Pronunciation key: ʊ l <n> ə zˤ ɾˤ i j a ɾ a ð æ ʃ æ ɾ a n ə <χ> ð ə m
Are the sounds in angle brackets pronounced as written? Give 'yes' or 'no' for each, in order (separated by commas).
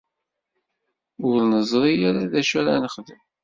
yes, yes